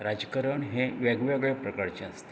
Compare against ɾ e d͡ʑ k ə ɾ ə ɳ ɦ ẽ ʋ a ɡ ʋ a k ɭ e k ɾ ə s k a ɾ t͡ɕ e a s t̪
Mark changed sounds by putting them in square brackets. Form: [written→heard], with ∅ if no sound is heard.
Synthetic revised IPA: ɾ [e→a] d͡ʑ k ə ɾ ə ɳ ɦ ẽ ʋ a ɡ ʋ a [k→ɡ] ɭ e [k→p] ɾ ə [s→∅] k a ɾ t͡ɕ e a s t̪